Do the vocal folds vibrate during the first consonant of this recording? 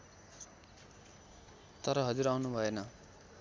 no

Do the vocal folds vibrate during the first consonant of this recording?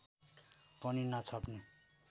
no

